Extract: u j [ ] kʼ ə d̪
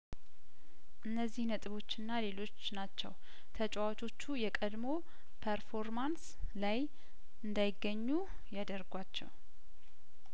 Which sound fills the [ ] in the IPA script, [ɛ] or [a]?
ɛ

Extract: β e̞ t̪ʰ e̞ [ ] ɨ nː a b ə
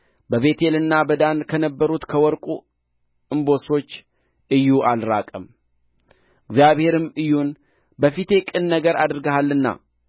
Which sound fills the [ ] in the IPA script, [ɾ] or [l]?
l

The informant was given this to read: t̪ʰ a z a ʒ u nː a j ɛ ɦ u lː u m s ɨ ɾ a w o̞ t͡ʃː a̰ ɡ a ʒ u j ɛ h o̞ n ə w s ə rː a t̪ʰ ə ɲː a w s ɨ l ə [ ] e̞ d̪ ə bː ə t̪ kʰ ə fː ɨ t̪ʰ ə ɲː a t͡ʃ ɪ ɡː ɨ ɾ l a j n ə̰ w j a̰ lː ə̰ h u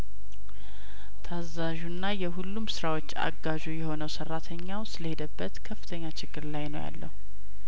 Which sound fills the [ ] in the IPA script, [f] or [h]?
h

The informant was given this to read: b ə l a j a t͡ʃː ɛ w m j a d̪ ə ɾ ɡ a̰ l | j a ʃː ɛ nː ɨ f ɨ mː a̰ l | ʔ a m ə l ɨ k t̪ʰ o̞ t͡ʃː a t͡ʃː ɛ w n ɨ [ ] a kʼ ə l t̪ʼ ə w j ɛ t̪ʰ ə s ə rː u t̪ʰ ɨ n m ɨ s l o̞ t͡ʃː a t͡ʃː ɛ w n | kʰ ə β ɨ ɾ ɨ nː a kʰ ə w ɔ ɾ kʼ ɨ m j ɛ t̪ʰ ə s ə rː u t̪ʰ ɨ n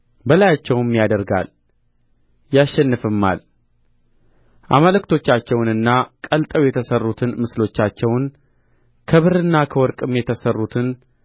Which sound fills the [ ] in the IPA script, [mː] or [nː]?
nː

